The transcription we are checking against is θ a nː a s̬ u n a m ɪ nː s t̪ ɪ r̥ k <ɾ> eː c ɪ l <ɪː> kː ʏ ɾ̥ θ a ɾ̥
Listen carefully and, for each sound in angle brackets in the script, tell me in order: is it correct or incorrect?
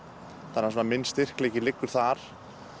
incorrect, incorrect

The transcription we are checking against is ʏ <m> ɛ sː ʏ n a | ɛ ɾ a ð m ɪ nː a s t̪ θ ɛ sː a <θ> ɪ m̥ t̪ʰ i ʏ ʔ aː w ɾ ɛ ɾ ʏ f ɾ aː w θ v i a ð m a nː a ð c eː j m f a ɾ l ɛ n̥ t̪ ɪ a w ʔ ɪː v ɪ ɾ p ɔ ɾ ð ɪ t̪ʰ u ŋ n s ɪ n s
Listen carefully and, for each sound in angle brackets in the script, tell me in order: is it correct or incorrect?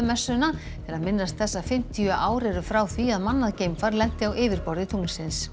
correct, incorrect

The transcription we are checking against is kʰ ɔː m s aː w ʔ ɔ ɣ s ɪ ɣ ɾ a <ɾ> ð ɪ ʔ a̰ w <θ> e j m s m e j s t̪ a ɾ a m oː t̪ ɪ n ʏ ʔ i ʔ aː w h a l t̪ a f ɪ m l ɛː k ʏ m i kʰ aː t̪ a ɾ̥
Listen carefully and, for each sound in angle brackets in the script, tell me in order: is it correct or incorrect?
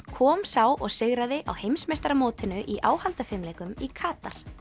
incorrect, incorrect

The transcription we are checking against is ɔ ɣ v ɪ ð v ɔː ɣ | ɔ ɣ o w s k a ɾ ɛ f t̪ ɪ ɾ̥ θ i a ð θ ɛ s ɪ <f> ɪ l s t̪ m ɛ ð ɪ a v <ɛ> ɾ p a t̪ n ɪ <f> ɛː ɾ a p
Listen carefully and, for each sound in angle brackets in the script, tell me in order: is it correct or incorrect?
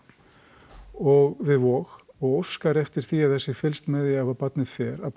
correct, incorrect, correct

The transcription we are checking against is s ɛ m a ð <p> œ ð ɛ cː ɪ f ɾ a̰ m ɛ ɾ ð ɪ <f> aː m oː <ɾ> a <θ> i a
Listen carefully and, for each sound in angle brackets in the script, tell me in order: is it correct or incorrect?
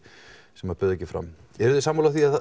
correct, incorrect, incorrect, correct

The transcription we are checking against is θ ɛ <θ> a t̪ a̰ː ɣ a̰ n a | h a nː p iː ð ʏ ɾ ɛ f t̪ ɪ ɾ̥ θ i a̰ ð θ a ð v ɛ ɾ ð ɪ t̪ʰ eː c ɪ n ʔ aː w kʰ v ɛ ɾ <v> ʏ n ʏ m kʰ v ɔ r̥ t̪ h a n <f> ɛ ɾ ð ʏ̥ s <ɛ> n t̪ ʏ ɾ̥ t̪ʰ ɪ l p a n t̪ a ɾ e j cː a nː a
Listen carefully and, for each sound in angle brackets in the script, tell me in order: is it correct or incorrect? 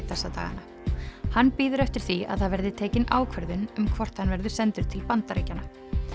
incorrect, incorrect, incorrect, correct

